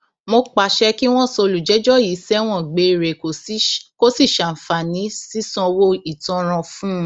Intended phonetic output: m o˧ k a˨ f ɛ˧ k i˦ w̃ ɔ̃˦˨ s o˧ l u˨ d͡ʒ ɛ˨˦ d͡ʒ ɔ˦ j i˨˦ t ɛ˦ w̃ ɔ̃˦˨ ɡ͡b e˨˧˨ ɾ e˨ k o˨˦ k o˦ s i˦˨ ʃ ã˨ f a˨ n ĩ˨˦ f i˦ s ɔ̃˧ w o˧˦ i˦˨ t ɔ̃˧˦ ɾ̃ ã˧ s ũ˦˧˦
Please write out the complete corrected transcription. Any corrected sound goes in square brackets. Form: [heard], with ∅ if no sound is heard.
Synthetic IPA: m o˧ [k͡p] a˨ [ʃ] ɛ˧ k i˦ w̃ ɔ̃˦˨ s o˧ l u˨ d͡ʒ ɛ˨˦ d͡ʒ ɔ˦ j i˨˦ [s] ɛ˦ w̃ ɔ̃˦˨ ɡ͡b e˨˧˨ ɾ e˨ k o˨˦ k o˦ s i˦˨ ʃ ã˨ f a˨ n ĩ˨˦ [s] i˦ s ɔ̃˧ w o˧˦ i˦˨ t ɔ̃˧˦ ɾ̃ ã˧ [f] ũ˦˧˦